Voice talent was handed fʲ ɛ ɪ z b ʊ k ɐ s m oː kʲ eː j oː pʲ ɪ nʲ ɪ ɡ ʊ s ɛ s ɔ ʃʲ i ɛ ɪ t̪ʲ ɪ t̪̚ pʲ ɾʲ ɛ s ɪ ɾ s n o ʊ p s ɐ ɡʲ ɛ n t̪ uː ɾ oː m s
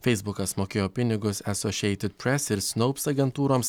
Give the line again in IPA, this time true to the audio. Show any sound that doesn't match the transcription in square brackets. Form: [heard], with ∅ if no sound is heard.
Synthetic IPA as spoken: fʲ ɛ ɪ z b ʊ k ɐ s m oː kʲ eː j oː pʲ ɪ nʲ ɪ ɡ ʊ s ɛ s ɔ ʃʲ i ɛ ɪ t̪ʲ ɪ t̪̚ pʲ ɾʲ ɛ s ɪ ɾ s n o ʊ p s ɐ ɡʲ ɛ n t̪ uː ɾ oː m s